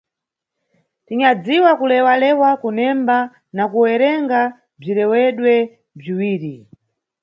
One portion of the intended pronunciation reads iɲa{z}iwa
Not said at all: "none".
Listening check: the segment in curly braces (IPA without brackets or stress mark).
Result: d͡z